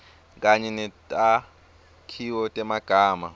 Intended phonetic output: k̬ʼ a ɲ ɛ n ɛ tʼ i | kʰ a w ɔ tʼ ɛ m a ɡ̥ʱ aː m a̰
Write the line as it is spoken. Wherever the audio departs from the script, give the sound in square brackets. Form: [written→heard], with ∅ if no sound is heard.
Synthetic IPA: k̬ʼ a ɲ ɛ n ɛ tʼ [i→a] | kʰ [a→i] w ɔ tʼ ɛ m a ɡ̥ʱ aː m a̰